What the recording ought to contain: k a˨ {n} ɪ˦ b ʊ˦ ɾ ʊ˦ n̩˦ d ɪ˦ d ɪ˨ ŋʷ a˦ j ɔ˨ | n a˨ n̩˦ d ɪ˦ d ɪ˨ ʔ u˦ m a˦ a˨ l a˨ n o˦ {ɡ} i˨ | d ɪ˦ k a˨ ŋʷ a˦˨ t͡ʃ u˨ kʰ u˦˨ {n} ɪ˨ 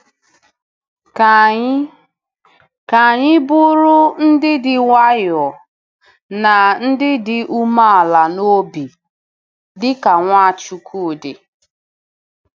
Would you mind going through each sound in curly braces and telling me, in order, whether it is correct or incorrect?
incorrect: ɲ, incorrect: b, incorrect: d

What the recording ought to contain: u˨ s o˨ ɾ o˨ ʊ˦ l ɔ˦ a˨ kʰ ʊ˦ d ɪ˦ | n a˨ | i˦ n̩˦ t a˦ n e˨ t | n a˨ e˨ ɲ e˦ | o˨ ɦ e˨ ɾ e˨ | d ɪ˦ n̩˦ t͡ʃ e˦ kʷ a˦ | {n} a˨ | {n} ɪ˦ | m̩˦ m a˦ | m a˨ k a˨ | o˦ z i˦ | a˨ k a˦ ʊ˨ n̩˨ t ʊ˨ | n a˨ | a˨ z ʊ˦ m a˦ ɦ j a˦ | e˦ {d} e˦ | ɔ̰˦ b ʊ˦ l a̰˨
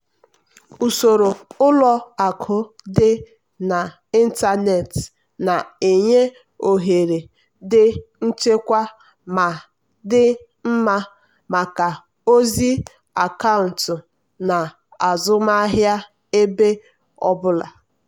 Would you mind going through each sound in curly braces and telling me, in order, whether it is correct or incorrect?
incorrect: m, incorrect: d, incorrect: b

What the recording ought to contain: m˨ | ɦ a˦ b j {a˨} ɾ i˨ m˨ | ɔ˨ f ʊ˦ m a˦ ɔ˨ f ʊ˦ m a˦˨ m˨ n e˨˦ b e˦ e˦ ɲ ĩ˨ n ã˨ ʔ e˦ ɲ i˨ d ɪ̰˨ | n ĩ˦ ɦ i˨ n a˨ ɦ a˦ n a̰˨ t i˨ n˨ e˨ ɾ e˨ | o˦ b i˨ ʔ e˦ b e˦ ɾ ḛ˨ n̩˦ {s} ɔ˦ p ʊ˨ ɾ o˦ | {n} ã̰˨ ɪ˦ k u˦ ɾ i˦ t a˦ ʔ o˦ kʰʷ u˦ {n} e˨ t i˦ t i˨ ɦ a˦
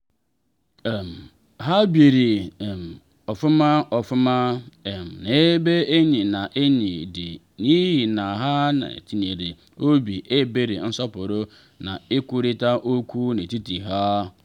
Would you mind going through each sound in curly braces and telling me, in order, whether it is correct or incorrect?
incorrect: e˨, correct, correct, correct

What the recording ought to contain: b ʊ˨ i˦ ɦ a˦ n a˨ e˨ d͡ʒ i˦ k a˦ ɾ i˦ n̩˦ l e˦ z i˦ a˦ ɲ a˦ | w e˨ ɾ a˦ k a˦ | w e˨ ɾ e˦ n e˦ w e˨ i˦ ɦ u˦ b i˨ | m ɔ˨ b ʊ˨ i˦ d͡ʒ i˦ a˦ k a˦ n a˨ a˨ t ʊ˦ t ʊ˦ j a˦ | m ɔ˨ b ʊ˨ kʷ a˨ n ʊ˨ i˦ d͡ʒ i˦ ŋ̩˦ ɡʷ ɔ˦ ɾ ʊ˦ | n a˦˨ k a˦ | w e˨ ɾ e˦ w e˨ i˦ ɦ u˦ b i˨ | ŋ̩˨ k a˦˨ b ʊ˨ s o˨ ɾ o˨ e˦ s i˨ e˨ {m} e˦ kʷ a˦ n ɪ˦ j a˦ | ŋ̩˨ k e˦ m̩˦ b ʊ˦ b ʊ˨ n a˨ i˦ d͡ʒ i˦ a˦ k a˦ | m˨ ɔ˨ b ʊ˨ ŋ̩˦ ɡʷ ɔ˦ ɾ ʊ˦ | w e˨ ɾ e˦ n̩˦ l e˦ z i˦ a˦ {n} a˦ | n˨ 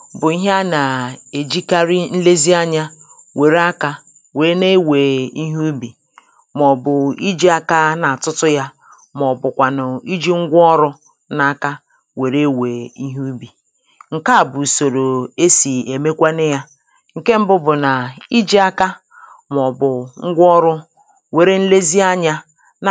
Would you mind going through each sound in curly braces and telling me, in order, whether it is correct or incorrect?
correct, incorrect: ɲ

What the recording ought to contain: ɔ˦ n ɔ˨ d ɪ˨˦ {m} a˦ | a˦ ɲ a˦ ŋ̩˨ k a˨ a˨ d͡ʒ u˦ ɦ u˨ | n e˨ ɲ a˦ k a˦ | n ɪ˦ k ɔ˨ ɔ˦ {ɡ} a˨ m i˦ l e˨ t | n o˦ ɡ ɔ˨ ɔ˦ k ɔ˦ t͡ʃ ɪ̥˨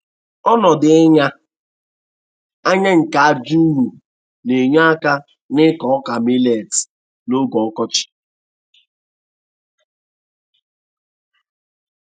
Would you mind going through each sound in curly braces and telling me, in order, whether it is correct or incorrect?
incorrect: ɲ, incorrect: k

